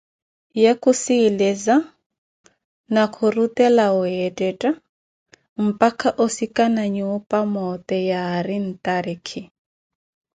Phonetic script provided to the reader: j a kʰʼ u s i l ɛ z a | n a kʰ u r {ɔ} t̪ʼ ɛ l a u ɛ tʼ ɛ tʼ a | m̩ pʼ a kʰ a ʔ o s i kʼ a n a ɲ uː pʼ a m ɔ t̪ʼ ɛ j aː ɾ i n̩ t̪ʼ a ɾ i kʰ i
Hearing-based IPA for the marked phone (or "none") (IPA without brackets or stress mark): u